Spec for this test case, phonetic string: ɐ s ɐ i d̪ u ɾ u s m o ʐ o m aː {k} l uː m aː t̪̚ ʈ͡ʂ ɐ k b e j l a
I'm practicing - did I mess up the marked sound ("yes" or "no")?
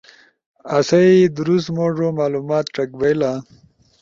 yes